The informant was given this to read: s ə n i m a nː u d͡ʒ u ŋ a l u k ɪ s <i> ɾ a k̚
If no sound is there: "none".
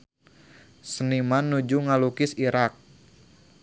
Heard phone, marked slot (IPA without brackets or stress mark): i